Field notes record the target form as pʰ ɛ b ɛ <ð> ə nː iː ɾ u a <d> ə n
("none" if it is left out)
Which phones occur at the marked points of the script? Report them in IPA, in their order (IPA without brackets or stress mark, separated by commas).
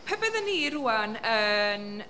ð, n